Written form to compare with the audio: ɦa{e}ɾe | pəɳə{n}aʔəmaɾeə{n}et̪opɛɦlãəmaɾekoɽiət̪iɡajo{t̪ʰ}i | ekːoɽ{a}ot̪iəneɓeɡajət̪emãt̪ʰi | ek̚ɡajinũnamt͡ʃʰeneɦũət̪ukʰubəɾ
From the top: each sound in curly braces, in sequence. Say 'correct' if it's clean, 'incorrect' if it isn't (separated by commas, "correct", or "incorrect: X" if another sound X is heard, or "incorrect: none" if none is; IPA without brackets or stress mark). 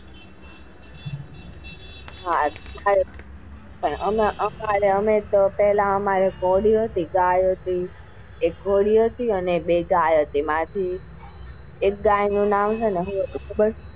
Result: incorrect: a, incorrect: m, incorrect: m, incorrect: t̪, incorrect: i